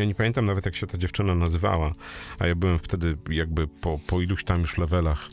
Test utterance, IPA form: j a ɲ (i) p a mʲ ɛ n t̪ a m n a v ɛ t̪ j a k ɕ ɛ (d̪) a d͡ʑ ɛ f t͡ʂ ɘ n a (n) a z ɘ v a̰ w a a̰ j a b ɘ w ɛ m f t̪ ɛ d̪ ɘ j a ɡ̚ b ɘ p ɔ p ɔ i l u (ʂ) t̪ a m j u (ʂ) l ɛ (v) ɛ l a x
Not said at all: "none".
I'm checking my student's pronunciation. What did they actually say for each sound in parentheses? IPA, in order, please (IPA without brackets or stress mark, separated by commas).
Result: ɛ, t̪, n, ɕ, ʂ, v